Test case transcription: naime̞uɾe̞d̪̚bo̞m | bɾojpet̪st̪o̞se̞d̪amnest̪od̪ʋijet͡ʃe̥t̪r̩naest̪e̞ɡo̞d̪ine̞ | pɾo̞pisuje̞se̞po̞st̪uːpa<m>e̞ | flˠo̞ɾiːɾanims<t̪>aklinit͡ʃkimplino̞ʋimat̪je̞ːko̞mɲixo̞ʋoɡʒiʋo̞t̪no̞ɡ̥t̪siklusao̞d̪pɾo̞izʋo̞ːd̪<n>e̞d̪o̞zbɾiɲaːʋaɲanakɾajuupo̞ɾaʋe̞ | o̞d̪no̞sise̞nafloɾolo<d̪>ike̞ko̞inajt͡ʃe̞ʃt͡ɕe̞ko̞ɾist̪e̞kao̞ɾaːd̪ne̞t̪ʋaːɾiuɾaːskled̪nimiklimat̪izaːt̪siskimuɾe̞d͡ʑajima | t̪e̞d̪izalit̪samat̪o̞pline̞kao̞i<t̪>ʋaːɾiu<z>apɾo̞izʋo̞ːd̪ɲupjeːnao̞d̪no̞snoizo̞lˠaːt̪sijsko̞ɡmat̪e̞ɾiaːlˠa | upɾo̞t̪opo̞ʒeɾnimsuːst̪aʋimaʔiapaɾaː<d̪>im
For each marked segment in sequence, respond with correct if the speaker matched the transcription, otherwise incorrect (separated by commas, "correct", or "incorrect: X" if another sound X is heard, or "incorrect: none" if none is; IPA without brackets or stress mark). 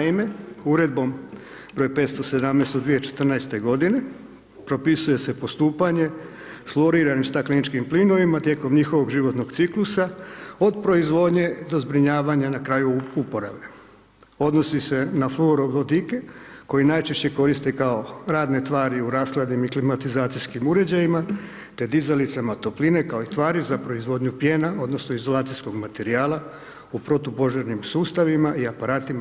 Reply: incorrect: ɲ, correct, incorrect: ɲ, correct, correct, correct, incorrect: t̪